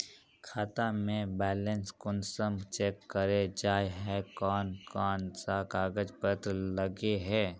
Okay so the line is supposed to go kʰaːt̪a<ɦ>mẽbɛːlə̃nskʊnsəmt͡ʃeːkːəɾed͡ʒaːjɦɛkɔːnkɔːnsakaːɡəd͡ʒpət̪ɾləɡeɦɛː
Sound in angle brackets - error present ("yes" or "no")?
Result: yes